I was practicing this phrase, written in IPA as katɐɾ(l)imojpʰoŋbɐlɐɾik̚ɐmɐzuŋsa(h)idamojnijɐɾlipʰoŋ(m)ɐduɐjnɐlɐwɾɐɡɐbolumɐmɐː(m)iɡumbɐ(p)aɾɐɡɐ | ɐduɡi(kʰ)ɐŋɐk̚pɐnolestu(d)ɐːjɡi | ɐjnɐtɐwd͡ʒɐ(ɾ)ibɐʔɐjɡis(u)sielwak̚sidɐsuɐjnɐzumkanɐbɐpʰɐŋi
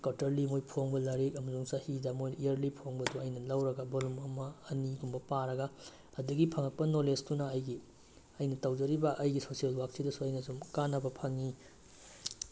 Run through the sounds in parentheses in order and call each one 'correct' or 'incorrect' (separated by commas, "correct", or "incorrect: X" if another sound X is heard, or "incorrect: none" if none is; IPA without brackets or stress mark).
correct, correct, incorrect: b, incorrect: n, correct, incorrect: pʰ, incorrect: n, correct, incorrect: o